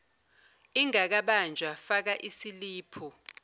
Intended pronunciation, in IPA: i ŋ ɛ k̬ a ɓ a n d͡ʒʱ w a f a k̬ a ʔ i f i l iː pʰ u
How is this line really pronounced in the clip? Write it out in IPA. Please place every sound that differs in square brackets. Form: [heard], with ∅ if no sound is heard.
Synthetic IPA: i ŋ [a] k̬ a ɓ a n d͡ʒʱ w a f a k̬ a ʔ i [s] i l iː pʰ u